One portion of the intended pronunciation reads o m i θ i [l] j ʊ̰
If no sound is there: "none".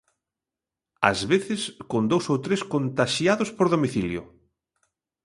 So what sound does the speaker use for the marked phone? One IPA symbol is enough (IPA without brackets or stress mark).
l